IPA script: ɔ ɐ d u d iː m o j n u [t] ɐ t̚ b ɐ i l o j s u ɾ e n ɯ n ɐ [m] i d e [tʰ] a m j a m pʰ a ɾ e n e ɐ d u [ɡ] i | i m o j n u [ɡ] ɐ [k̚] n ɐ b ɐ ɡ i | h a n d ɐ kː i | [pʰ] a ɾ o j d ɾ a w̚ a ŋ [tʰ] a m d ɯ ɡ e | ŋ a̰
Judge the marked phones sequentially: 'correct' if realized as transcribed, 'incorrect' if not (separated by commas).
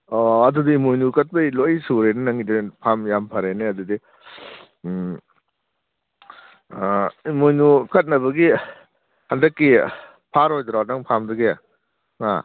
incorrect, incorrect, incorrect, incorrect, incorrect, incorrect, correct, incorrect